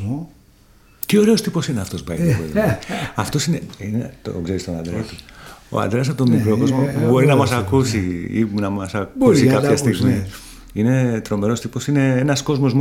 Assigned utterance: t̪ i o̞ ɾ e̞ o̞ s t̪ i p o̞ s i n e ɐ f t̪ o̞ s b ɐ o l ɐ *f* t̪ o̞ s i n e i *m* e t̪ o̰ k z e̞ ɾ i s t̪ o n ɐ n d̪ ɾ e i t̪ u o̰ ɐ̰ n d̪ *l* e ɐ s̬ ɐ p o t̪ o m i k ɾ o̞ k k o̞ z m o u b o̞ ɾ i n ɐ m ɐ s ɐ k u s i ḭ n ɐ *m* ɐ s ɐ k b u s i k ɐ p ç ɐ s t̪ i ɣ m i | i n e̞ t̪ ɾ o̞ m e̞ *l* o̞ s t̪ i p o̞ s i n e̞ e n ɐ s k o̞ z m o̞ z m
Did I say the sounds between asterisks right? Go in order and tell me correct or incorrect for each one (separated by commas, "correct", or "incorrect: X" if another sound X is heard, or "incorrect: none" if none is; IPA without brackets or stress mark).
correct, incorrect: n, incorrect: ɾ, correct, incorrect: ɾ